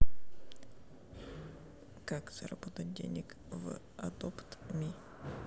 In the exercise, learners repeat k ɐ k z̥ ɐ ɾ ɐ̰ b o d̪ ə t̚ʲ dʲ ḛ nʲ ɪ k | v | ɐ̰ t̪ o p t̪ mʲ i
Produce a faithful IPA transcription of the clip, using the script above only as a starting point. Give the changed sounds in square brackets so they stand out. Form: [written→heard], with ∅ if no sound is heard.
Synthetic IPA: k [ɐ→a] k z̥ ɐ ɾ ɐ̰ b o [d̪→t̪] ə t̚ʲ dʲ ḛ nʲ ɪ k | v | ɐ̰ [t̪→d̪] o p t̪ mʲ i